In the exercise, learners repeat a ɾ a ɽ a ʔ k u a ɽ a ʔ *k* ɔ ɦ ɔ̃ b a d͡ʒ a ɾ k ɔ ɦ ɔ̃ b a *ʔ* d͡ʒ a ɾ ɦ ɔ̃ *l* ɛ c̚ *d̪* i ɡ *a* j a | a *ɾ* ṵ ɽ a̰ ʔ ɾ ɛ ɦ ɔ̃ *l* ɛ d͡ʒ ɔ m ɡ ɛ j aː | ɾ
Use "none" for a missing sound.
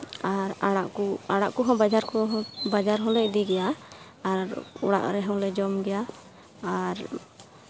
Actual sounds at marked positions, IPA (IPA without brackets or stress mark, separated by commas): k, none, l, d̪, ɛ, ɾ, l